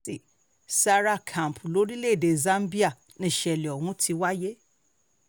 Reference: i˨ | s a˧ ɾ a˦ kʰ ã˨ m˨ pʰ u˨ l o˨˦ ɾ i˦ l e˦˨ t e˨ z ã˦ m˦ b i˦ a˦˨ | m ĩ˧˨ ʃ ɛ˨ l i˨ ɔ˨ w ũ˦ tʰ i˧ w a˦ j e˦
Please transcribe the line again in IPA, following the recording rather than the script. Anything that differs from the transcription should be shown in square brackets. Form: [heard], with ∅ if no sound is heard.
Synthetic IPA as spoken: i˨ | s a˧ ɾ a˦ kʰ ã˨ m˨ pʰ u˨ l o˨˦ ɾ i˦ l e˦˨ [d] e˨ z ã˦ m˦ b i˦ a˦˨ | [n] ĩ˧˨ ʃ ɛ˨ l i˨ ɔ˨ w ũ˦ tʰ i˧ w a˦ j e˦